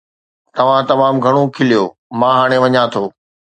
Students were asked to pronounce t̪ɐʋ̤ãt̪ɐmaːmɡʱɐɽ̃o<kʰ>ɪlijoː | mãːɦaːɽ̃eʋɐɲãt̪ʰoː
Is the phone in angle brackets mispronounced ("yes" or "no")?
no